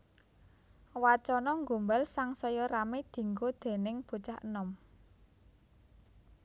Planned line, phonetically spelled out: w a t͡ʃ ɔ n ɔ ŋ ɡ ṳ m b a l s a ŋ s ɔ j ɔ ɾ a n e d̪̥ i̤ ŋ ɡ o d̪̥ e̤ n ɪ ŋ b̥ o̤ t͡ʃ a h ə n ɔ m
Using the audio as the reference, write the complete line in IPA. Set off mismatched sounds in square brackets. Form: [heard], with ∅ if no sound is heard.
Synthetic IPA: w a t͡ʃ ɔ n ɔ ŋ ɡ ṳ m b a l s a ŋ s ɔ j ɔ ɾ a [m] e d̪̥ i̤ ŋ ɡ o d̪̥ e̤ n ɪ ŋ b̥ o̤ t͡ʃ a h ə n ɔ m